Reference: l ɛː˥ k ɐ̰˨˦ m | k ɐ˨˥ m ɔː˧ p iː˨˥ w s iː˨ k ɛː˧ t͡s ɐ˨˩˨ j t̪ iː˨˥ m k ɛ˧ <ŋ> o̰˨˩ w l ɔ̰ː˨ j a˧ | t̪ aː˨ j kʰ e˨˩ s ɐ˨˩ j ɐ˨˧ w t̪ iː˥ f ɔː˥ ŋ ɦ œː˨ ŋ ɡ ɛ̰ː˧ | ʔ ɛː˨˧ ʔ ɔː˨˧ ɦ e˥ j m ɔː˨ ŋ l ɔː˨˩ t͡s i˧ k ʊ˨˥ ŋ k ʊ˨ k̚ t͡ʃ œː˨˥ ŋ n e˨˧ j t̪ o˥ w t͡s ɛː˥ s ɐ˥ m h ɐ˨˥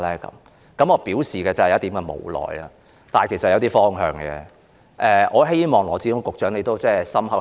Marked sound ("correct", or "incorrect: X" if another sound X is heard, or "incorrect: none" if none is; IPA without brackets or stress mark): incorrect: m